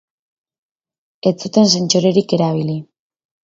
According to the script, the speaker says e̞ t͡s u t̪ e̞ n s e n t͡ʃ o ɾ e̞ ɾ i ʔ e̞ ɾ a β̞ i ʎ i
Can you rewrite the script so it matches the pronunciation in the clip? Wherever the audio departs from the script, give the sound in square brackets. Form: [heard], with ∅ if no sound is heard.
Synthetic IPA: e̞ t͡s u t̪ e̞ n s e n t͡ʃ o ɾ e̞ ɾ i [k] e̞ ɾ a β̞ i [l] i